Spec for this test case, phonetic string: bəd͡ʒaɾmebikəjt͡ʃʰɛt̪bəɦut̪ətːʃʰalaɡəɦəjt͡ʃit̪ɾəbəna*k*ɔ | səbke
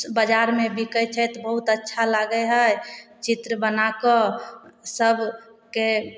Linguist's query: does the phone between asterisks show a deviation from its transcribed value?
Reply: no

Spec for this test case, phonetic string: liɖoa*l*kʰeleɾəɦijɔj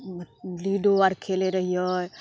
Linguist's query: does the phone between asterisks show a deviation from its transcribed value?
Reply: yes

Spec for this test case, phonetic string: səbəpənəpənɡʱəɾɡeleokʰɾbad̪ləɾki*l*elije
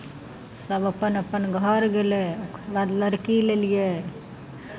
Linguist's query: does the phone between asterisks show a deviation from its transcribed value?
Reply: no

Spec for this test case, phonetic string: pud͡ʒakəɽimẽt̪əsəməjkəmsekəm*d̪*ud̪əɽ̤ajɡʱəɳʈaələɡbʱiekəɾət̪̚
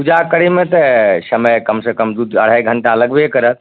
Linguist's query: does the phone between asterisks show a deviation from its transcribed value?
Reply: no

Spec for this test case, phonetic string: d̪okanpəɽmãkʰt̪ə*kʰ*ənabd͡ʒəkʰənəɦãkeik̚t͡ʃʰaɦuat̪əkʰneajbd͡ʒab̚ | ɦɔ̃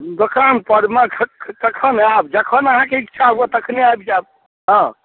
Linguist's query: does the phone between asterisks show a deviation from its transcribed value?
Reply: no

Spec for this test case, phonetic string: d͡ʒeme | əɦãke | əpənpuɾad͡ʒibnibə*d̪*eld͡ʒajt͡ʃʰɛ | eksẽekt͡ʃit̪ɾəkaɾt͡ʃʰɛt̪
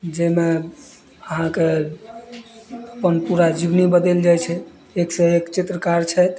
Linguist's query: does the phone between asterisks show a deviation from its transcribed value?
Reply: no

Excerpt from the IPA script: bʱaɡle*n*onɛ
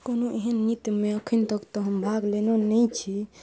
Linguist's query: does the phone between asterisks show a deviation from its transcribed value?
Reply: no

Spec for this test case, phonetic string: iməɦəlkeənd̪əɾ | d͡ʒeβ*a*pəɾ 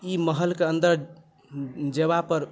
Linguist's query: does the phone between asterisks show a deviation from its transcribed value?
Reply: no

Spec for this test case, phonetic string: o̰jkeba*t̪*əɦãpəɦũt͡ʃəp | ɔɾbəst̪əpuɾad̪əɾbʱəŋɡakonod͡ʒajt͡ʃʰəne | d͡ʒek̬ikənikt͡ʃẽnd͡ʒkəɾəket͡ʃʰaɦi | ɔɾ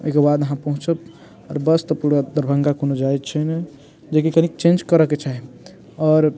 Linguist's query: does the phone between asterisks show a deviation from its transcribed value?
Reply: yes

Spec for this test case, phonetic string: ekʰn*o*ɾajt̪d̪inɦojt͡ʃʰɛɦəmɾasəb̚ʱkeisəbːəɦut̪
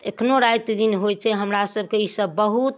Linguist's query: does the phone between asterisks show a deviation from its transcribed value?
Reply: no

